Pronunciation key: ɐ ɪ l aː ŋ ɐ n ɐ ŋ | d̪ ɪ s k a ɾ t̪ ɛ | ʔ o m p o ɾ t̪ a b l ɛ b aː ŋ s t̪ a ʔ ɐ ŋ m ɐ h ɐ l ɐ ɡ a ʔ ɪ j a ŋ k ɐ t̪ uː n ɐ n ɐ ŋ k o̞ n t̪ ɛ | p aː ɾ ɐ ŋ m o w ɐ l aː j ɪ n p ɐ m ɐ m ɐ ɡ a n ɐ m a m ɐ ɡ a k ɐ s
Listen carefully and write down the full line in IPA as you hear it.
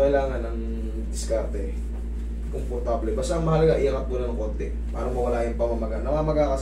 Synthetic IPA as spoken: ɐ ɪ l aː ŋ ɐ n ɐ ŋ | d̪ ɪ s k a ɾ t̪ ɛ | k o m p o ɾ t̪ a b l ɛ b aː s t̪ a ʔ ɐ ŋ m ɐ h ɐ l ɐ ɡ a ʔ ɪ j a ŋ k ɐ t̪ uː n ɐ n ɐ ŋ k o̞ n t̪ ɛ | p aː ɾ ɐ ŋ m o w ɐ l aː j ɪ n p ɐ m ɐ m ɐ ɡ a n ɐ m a m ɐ ɡ a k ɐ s